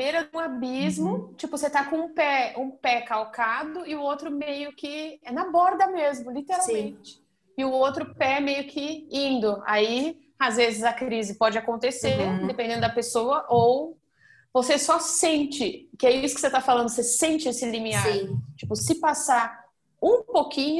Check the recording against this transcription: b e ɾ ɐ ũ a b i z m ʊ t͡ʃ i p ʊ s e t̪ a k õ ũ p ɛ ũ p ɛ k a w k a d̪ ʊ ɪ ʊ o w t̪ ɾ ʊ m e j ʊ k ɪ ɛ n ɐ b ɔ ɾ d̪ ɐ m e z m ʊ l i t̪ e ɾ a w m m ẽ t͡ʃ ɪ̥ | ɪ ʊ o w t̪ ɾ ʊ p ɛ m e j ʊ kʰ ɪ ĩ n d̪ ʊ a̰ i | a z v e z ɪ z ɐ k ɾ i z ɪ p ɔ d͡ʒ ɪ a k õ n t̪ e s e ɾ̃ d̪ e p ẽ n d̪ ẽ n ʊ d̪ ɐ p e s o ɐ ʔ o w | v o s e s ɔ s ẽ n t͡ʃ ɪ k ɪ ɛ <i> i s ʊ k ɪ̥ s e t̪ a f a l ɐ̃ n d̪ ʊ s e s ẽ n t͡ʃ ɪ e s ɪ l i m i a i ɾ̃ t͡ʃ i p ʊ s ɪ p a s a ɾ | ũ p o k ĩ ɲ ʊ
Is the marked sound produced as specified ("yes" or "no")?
yes